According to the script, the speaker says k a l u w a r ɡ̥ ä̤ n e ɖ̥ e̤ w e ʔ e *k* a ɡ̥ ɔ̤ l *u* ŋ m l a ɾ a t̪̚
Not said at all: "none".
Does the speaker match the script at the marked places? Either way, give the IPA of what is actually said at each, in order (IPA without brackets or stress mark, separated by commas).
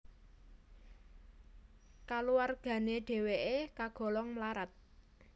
k, ɔ